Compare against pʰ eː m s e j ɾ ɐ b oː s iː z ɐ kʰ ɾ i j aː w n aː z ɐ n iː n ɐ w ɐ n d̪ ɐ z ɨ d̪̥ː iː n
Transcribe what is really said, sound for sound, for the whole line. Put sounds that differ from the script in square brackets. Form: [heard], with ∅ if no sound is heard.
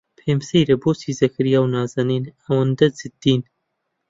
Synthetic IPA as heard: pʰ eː m s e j ɾ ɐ b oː s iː z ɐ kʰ ɾ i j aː w n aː z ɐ n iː n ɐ w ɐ n d̪ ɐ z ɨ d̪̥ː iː n